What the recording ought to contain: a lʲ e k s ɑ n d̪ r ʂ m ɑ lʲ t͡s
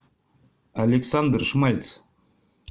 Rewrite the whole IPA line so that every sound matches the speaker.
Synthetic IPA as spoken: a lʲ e k s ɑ n d̪ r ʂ m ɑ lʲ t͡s